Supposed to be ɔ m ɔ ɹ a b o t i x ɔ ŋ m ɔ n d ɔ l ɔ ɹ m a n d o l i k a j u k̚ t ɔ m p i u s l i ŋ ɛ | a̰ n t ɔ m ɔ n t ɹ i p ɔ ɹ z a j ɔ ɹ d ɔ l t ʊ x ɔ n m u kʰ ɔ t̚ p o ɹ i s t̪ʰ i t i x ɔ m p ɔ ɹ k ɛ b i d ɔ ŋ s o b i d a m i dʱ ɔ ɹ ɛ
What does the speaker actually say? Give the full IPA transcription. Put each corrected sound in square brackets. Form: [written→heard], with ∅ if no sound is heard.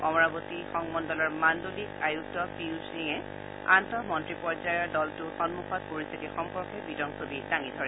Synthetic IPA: ɔ m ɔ ɹ a b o t i x ɔ ŋ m ɔ n d ɔ l ɔ ɹ m a n d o l i k a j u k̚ t ɔ [m→∅] p i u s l i ŋ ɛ | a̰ n t ɔ m ɔ n t ɹ i p ɔ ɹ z a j ɔ ɹ d ɔ l t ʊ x ɔ n m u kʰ ɔ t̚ p o ɹ i s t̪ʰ i t i x ɔ m p ɔ ɹ k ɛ b i d ɔ ŋ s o b i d a [m→ŋ] i dʱ ɔ ɹ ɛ